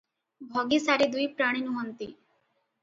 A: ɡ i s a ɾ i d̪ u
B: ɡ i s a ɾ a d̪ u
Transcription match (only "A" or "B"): A